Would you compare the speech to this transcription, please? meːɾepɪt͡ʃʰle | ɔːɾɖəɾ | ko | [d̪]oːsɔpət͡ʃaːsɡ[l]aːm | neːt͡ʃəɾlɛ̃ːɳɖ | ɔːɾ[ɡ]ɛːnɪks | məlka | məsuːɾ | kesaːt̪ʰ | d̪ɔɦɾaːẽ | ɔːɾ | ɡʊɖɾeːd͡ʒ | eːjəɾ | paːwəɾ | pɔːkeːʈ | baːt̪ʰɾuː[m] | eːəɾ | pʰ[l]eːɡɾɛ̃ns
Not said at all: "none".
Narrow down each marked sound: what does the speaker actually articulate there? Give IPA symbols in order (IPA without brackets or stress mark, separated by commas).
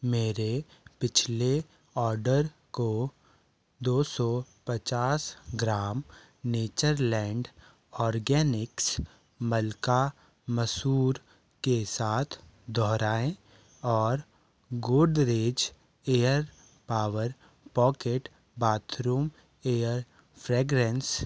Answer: d̪, ɾ, ɡ, m, ɾ